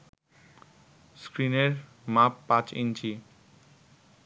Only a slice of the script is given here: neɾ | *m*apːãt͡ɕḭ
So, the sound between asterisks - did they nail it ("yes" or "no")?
yes